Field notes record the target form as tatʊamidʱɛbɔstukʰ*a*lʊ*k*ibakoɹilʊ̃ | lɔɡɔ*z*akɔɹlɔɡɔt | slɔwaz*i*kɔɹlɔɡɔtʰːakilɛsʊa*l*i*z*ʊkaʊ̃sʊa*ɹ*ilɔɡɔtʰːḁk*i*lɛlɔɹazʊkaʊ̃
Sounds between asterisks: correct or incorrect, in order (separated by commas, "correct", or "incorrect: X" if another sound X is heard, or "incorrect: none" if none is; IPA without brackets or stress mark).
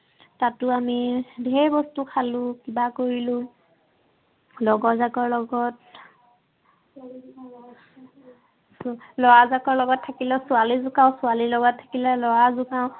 correct, correct, correct, incorrect: a, correct, correct, incorrect: l, correct